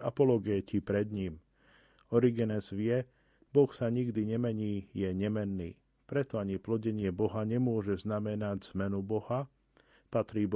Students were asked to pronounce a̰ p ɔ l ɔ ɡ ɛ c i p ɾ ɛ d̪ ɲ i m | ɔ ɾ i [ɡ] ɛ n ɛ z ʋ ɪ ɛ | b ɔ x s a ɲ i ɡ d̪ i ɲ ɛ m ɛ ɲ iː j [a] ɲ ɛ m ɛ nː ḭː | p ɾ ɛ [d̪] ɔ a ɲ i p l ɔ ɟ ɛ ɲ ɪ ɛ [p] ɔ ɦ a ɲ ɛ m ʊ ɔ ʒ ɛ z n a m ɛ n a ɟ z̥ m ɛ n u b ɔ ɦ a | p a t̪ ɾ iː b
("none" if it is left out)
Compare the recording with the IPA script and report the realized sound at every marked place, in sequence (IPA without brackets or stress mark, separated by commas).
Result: ɡ, ɛ, t̪, b